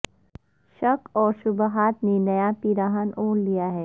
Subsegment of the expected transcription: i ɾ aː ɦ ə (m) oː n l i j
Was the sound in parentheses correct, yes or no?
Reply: no